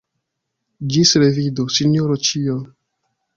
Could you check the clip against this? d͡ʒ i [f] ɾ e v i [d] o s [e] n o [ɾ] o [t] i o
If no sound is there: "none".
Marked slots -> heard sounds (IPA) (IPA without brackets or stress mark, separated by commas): s, d, i, ɾ, t͡ʃ